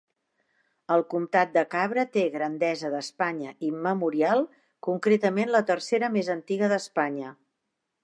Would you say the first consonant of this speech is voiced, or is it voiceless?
voiced